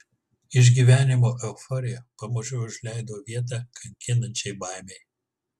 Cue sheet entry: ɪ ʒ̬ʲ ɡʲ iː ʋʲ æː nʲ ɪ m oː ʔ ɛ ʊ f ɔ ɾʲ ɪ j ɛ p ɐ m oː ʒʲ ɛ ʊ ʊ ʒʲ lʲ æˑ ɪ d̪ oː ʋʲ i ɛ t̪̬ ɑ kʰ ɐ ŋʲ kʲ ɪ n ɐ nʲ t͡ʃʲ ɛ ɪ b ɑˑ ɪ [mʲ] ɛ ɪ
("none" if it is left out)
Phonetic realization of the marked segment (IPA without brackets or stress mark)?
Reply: mʲ